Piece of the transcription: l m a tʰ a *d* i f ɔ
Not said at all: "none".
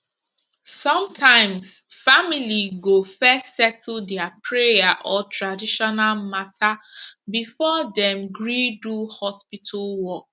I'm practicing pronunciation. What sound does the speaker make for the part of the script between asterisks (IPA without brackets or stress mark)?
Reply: b